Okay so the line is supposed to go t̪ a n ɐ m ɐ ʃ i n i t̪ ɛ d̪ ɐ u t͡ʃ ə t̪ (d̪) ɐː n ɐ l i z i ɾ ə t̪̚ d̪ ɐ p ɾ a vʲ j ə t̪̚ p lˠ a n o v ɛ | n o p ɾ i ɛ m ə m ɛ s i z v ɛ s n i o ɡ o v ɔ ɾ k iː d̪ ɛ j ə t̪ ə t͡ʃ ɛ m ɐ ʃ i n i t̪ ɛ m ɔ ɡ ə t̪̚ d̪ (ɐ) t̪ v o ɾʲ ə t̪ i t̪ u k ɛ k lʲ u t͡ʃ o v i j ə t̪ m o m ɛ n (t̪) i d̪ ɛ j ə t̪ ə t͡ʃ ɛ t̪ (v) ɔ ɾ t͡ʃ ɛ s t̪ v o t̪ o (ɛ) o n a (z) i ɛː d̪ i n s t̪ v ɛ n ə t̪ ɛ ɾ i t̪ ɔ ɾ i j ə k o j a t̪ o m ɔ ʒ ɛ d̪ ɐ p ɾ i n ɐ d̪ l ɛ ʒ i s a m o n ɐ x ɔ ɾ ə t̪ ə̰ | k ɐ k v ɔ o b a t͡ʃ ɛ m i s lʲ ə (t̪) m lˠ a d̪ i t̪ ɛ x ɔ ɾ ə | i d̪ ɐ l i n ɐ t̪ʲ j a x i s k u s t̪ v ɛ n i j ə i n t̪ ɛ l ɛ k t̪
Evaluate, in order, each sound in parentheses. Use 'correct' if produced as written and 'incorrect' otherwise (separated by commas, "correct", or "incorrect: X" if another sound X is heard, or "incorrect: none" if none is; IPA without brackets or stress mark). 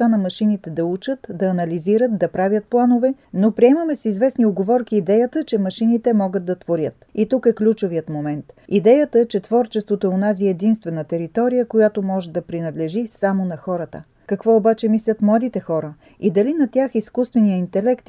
correct, correct, correct, correct, correct, correct, correct